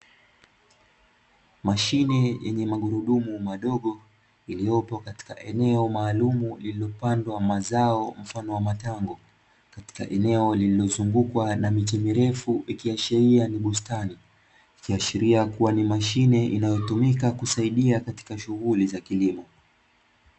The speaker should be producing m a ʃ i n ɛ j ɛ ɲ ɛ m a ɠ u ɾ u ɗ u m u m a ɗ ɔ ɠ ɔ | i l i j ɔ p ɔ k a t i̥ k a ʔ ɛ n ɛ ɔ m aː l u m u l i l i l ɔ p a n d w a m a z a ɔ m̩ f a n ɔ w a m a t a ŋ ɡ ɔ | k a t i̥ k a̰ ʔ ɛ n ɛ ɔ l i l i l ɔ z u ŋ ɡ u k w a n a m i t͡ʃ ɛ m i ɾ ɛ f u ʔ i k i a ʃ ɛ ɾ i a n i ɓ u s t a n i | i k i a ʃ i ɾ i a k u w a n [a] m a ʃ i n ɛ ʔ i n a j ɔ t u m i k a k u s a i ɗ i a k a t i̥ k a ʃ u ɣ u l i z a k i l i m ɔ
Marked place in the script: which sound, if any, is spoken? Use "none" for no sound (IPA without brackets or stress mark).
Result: i